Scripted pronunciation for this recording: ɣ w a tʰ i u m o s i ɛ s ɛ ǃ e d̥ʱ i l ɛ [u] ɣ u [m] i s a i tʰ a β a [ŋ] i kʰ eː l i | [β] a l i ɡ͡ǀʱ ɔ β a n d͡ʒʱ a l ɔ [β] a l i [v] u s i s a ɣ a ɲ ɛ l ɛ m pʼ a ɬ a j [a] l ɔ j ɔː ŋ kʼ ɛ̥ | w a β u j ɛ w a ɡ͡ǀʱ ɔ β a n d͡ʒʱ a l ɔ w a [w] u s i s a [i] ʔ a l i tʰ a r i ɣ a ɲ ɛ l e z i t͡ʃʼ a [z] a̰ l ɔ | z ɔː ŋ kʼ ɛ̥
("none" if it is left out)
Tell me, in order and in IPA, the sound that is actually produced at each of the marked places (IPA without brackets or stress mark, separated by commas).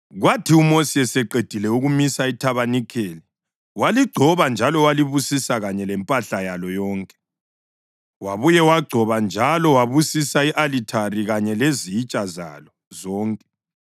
u, m, n, w, w, β, a, β, i, z